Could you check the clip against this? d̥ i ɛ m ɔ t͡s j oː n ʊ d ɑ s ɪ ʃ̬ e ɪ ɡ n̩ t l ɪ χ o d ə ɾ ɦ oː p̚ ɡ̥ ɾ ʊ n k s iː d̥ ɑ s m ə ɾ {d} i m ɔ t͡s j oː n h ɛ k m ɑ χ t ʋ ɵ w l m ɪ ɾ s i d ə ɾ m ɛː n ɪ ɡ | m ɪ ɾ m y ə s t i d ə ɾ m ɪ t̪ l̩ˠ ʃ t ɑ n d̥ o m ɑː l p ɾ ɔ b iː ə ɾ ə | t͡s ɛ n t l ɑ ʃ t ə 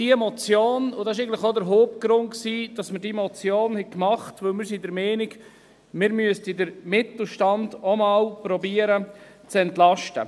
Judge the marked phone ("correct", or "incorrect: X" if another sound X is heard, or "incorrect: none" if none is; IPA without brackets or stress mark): correct